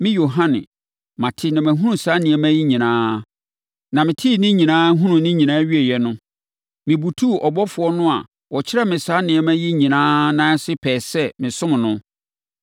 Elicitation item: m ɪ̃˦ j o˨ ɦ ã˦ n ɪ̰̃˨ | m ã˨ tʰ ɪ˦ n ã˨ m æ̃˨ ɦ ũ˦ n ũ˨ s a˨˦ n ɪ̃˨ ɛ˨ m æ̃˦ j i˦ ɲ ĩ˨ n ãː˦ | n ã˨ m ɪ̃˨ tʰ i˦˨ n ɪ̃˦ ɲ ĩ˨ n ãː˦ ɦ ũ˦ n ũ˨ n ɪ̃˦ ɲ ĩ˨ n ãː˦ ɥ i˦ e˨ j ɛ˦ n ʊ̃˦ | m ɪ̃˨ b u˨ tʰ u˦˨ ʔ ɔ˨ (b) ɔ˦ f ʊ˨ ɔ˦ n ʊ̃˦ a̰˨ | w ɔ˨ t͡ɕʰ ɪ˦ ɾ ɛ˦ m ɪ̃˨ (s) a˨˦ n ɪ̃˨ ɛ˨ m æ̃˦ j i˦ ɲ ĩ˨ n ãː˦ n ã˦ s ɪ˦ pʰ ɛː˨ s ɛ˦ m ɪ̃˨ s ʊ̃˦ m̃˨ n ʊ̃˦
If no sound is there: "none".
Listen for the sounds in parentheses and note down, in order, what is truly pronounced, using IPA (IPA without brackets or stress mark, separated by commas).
b, s